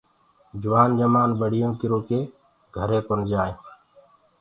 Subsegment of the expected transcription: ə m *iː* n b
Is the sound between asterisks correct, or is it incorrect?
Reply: incorrect